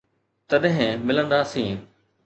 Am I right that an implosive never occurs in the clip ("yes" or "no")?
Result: no